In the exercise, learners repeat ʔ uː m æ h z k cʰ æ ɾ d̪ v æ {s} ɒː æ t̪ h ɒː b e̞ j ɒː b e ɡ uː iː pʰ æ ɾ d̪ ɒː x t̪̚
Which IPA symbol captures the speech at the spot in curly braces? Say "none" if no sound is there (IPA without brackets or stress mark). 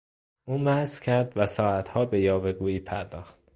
s